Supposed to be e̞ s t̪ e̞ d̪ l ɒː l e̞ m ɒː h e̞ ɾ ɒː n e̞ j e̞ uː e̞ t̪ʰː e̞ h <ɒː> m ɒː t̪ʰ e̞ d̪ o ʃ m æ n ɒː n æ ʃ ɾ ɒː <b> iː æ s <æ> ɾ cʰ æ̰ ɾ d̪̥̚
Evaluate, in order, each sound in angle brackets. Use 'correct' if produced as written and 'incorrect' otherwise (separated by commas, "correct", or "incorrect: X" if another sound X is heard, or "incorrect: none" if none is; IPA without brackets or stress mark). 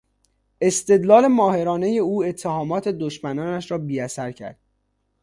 correct, correct, correct